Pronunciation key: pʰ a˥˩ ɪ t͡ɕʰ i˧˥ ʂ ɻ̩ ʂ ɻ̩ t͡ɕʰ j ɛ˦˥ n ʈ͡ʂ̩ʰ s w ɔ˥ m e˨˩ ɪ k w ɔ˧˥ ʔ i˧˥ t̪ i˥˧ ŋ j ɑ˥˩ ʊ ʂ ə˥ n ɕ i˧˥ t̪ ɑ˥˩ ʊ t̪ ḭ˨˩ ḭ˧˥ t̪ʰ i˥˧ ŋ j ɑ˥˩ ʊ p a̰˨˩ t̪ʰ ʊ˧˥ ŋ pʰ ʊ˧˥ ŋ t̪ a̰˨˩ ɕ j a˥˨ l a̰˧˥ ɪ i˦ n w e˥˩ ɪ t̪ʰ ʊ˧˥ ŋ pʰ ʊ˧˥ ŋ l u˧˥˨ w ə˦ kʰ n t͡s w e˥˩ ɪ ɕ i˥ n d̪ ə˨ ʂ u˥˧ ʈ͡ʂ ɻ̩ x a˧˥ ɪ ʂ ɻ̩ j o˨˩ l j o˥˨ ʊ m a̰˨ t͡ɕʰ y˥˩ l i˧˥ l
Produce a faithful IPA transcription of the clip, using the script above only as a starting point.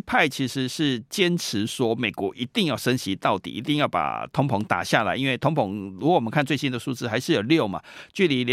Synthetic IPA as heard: pʰ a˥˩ ɪ t͡ɕʰ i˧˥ ʂ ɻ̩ ʂ ɻ̩ t͡ɕ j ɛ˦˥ n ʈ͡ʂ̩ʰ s w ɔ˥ m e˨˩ ɪ k w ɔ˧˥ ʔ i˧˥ t̪ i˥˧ ŋ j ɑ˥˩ ʊ ʂ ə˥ n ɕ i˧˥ t̪ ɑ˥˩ ʊ t̪ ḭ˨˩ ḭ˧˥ t̪ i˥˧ ŋ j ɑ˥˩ ʊ p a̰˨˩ t̪ʰ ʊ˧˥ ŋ pʰ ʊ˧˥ ŋ t̪ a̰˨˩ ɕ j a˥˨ l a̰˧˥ ɪ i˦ n w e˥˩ ɪ t̪ʰ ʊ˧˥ ŋ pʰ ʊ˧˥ ŋ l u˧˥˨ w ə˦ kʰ n t͡s w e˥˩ ɪ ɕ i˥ n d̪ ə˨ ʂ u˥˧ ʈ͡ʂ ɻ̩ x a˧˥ ɪ ʂ ɻ̩ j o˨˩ l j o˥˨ ʊ m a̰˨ t͡ɕ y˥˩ l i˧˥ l